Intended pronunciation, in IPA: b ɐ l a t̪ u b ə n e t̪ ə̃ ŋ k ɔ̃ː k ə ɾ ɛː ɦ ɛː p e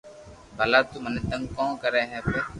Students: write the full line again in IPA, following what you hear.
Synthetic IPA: b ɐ l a t̪ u m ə n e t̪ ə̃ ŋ k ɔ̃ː k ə ɾ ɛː ɦ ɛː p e